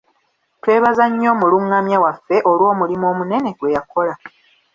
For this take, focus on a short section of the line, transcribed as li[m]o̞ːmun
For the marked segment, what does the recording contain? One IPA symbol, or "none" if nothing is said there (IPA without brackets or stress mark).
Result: m